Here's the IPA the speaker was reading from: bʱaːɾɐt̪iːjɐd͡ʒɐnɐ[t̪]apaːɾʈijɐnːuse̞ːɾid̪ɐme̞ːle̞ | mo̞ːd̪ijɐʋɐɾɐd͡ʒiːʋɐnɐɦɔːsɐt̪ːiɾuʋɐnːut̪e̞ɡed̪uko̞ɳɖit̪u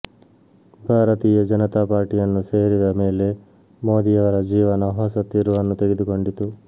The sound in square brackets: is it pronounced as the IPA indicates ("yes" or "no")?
yes